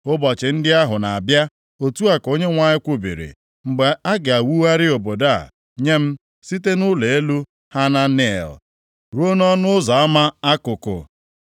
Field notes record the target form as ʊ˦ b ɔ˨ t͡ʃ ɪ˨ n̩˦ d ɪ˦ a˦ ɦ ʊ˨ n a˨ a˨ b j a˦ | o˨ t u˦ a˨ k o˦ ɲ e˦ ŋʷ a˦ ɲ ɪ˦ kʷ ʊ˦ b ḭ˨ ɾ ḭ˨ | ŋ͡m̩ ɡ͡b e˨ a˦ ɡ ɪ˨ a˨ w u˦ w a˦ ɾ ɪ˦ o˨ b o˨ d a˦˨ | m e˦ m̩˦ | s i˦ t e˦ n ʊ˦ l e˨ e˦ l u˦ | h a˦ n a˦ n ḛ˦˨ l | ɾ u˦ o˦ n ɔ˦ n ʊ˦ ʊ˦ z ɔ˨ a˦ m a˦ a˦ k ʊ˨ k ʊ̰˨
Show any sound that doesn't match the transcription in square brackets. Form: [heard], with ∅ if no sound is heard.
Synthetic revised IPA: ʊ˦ b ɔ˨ t͡ʃ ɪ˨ n̩˦ d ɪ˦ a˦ ɦ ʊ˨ n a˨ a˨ b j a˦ | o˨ t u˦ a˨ k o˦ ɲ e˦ ŋʷ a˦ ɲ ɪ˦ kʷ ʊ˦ b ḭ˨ ɾ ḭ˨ | ŋ͡m̩ ɡ͡b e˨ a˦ ɡ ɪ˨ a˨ w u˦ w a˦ ɾ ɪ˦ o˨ b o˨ d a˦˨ | [ɲ] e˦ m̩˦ | s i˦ t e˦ n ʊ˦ l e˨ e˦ l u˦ | h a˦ n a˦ n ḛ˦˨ l | ɾ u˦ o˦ n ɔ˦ n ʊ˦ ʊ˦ z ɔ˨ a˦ m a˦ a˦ k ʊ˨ k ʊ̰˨

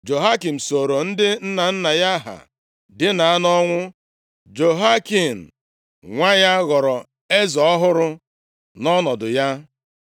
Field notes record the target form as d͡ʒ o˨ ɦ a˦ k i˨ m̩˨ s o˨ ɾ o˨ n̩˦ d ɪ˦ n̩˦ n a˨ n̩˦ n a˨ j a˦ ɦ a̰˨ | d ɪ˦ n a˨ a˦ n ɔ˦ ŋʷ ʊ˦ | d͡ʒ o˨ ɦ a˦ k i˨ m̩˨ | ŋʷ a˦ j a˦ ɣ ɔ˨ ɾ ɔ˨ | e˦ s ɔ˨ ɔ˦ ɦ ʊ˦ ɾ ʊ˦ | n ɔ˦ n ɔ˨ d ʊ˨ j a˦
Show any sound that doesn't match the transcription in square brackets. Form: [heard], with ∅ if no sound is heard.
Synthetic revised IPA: d͡ʒ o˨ ɦ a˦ k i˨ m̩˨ s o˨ ɾ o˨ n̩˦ d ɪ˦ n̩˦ n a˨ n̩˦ n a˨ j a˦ ɦ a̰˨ | d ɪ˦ n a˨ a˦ n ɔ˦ ŋʷ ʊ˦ | d͡ʒ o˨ ɦ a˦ k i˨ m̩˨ | ŋʷ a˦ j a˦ ɣ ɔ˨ ɾ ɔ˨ | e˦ [z] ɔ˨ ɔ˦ ɦ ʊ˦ ɾ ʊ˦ | n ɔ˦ n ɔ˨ d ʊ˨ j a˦

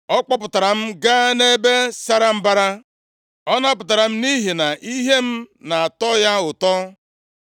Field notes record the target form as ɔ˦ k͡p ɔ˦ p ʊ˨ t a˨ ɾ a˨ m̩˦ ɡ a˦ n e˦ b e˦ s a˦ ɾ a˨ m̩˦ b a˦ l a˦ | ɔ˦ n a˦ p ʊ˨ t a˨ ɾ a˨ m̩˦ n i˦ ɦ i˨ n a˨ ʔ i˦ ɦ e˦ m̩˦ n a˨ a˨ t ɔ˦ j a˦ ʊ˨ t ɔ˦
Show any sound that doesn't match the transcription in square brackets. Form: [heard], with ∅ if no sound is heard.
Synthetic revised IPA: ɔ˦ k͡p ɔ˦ p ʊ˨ t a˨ ɾ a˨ m̩˦ ɡ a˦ n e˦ b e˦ s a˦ ɾ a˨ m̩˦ b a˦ [ɾ] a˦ | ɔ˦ n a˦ p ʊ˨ t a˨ ɾ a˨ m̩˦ n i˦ ɦ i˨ n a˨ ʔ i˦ ɦ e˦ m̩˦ n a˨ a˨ t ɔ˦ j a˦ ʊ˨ t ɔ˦

